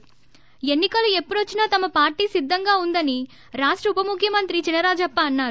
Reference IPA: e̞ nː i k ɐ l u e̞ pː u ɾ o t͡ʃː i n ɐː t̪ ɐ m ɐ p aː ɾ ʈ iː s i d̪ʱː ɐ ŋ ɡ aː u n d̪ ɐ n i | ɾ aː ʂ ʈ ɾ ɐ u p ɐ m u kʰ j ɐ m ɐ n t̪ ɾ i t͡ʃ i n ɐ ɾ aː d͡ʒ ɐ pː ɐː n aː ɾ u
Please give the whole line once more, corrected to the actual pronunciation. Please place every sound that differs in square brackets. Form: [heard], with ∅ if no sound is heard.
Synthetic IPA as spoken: e̞ nː i k ɐ l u e̞ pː u [ɽ] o t͡ʃː i n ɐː t̪ ɐ m ɐ p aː ɾ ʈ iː s i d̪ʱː ɐ ŋ ɡ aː u n d̪ ɐ n i | ɾ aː ʂ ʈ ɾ ɐ u p ɐ m u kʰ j ɐ m ɐ n t̪ ɾ i t͡ʃ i n ɐ ɾ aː d͡ʒ ɐ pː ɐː [nː] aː ɾ u